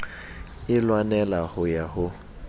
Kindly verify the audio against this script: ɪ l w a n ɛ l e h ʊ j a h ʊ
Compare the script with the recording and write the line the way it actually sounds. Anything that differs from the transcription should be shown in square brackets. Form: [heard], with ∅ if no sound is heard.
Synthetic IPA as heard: ɪ l w a n ɛ l [a] h ʊ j a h ʊ